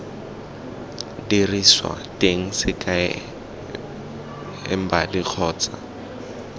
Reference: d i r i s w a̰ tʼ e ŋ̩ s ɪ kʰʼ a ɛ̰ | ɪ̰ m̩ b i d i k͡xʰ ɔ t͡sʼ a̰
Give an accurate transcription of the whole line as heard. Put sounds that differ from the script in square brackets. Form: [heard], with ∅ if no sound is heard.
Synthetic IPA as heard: d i r i s w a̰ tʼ e ŋ̩ s ɪ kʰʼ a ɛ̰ | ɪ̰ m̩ b [a] d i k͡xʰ [ɔː] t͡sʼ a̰